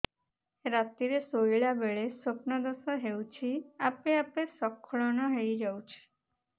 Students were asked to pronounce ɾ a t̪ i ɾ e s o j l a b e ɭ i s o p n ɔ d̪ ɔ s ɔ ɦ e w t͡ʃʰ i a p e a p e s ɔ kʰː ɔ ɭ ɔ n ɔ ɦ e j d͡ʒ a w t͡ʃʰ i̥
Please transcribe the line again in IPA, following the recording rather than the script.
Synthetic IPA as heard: ɾ a t̪ i ɾ e s o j ɭ a b e ɭ e s o p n ɔ d̪ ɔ s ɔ ɦ e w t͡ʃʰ i a p e a p e s ɔ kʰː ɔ ɭ ɔ n ɔ ɦ e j d͡ʒ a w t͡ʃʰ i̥